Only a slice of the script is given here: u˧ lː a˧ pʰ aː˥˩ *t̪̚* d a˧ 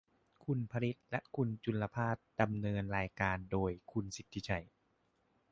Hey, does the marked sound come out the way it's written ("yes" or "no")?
yes